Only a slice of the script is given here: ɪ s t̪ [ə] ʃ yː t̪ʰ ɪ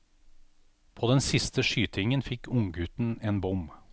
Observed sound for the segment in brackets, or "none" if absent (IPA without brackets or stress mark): ə